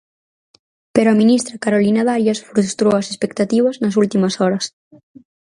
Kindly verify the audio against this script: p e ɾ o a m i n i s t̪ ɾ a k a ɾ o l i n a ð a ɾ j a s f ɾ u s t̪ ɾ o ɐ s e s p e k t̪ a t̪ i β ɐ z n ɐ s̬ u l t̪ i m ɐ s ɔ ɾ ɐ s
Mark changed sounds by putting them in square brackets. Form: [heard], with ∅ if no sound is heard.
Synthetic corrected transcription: p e ɾ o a m i n i s t̪ ɾ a k a ɾ o l i n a ð a ɾ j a s f ɾ u s t̪ ɾ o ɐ s e s p e k t̪ a t̪ i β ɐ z n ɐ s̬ u l t̪ i m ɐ s ɔ ɾ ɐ s